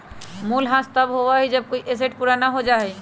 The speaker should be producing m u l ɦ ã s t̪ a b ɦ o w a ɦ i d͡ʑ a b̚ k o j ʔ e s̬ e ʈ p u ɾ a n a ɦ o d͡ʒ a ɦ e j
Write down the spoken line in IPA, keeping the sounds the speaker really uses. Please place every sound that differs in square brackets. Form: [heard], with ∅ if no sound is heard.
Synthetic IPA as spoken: m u l ɦ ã s t̪ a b ɦ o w a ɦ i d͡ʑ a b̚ k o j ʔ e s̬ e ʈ p u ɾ a n a ɦ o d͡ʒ a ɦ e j